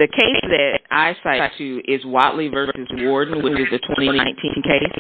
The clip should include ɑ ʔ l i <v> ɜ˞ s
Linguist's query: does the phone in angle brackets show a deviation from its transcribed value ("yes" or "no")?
no